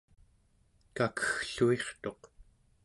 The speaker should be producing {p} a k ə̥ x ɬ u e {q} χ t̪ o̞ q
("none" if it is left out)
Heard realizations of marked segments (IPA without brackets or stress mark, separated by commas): k, none